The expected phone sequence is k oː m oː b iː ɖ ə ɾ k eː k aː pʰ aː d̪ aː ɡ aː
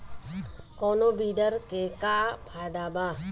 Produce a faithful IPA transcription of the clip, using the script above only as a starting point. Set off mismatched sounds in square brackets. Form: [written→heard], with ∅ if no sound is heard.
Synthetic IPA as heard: k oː [m→n] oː b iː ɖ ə ɾ k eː k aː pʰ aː d̪ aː [ɡ→b] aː